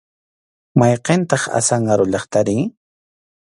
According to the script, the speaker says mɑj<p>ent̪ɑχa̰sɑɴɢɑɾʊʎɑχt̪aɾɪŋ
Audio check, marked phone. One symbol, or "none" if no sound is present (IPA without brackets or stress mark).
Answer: q